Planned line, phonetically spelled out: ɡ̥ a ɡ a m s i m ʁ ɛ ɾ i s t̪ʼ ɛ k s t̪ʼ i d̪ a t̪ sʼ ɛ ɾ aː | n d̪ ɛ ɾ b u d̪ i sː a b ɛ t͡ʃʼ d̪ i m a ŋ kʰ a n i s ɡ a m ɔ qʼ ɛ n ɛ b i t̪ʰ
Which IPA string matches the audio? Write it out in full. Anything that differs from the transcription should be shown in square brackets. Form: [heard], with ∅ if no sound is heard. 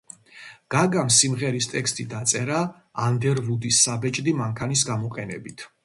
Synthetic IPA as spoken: ɡ̥ a ɡ a m s i m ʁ ɛ ɾ i s t̪ʼ ɛ k s t̪ʼ i d̪ a t̪ sʼ ɛ ɾ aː | n d̪ ɛ ɾ [v] u d̪ i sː a b ɛ t͡ʃʼ d̪ i m a ŋ kʰ a n i s ɡ a m ɔ qʼ ɛ n ɛ b i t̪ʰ